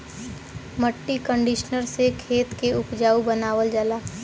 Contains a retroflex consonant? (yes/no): yes